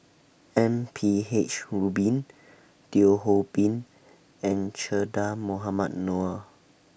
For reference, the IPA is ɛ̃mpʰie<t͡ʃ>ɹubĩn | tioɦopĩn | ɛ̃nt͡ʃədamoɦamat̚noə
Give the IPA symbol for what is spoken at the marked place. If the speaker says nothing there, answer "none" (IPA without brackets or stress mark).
t͡ʃ